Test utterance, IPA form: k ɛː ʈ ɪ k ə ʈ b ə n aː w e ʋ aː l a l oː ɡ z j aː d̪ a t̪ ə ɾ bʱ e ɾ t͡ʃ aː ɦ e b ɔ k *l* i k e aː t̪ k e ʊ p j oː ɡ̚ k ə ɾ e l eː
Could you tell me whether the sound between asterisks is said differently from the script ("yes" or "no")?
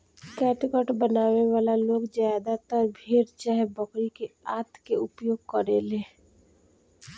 yes